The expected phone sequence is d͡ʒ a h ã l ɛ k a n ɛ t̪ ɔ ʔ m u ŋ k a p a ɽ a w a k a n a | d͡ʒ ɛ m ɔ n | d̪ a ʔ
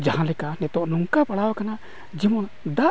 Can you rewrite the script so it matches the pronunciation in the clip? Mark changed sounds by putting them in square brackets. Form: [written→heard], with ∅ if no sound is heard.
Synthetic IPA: d͡ʒ a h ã l ɛ k a n ɛ t̪ ɔ ʔ [m→n] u ŋ k a p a ɽ a w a k a n a | d͡ʒ [ɛ→i] m ɔ n | d̪ a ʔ